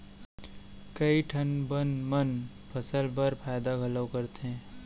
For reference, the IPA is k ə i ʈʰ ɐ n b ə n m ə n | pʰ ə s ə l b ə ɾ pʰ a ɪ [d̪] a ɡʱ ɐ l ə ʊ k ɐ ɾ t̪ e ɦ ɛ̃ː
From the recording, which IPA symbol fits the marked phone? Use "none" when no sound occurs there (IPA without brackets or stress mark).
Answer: d̪